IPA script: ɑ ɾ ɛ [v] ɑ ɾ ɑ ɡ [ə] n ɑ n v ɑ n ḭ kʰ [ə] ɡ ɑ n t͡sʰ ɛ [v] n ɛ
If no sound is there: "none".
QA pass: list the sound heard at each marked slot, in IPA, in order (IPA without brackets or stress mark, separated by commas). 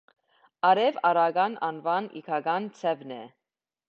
v, ɑ, ɑ, v